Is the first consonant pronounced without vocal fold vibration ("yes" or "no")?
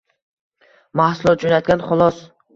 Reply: no